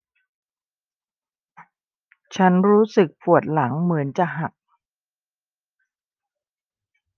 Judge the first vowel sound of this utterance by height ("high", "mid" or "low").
low